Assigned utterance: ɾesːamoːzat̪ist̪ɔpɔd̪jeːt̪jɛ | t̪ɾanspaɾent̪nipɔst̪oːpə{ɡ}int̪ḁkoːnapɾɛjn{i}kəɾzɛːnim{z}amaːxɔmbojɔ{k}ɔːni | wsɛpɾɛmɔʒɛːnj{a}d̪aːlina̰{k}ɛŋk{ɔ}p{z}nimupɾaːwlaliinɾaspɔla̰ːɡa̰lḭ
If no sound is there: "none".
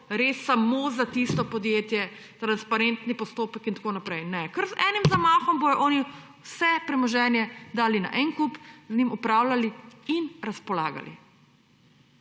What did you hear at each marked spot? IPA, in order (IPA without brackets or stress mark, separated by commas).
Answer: k, ɛ, z, ʔ, ɛ, ʔ, u, z